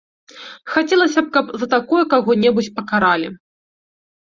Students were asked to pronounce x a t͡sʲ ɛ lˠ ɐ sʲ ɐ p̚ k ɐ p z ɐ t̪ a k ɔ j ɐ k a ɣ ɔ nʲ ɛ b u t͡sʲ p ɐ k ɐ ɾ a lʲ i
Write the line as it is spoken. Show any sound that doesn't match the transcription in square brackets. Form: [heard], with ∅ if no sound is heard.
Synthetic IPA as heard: x a t͡sʲ ɛ lˠ ɐ sʲ ɐ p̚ k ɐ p z ɐ t̪ a k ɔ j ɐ k a ɣ ɔ nʲ ɛ b u t͡sʲ p ɐ k [a] ɾ a lʲ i